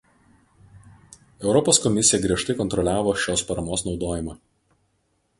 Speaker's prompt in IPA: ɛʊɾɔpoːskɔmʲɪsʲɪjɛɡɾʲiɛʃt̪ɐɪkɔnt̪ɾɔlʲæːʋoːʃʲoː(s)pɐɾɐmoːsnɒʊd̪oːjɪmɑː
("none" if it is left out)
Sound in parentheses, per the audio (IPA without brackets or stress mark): s